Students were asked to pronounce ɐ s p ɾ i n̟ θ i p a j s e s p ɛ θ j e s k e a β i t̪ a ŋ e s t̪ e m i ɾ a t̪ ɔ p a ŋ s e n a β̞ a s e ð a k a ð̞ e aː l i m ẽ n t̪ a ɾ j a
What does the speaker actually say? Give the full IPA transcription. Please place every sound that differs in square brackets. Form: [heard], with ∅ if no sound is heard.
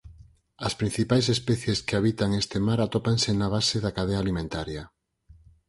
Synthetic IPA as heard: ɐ s p ɾ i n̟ θ i p a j s e s p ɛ θ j e s k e a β i t̪ a ŋ e s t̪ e m [a] ɾ a t̪ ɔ p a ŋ s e n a β̞ a s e ð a k a ð̞ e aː l i m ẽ n t̪ a ɾ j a